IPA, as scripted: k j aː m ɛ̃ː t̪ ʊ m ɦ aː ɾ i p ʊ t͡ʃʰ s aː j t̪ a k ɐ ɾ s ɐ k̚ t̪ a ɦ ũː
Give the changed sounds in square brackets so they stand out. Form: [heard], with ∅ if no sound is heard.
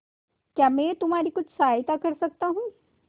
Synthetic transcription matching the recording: k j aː m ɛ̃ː t̪ ʊ m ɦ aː ɾ i [k] ʊ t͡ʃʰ s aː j t̪ a k ɐ ɾ s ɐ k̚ t̪ a ɦ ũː